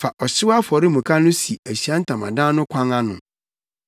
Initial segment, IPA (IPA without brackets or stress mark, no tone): f